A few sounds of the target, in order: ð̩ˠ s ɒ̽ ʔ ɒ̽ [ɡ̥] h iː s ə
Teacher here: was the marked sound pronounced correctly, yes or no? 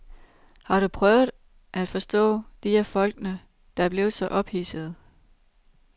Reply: no